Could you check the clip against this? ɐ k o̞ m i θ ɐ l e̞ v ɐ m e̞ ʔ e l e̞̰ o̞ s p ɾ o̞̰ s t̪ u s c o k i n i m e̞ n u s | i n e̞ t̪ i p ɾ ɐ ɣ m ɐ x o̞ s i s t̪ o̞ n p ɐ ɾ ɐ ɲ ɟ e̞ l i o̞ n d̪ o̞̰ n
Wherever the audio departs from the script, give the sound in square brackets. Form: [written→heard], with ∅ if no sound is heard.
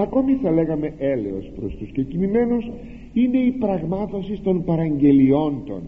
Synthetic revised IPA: ɐ k o̞ m i θ ɐ l e̞ [v→ɣ] ɐ m e̞ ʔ e l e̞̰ o̞ s p ɾ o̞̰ s t̪ u s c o [k→c] i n i m e̞ n u s | i n e̞ [t̪→∅] i p ɾ ɐ ɣ m ɐ [x→θ] o̞ s i s t̪ o̞ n p ɐ ɾ ɐ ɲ ɟ e̞ l i o̞ n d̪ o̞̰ n